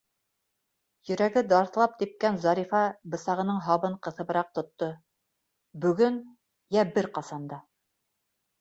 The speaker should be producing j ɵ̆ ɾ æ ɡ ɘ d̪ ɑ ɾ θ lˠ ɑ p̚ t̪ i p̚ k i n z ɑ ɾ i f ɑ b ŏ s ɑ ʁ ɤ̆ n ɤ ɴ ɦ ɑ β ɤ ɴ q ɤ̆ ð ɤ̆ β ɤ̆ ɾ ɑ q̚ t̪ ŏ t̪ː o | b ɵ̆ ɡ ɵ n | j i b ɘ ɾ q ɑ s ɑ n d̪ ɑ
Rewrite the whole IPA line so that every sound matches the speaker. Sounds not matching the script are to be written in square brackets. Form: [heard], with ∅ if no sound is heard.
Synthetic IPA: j ɵ̆ ɾ æ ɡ ɘ d̪ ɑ ɾ θ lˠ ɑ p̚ t̪ i p̚ k [æ] n z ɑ ɾ i f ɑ b [ɤ̆] s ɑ ʁ ɤ̆ n ɤ ɴ ɦ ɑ β ɤ ɴ q ɤ̆ [θ] ɤ̆ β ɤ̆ ɾ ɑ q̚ t̪ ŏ t̪ː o | b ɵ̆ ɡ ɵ n | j [æ] b ɘ ɾ q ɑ s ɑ n d̪ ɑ